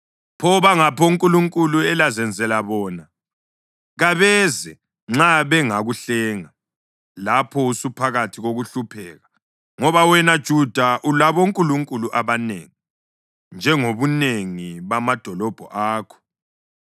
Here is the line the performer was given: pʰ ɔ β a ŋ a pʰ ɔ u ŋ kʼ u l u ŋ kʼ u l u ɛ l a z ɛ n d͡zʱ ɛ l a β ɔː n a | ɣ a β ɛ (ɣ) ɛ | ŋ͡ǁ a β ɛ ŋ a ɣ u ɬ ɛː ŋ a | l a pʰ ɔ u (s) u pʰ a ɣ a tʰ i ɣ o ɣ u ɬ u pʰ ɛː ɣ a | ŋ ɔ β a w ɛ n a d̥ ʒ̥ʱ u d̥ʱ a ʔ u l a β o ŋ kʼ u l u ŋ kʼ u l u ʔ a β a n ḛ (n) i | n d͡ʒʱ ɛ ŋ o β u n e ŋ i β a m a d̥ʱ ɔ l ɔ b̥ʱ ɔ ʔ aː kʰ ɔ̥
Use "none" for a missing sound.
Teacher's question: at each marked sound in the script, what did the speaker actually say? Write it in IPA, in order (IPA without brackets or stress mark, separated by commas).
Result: z, s, ŋ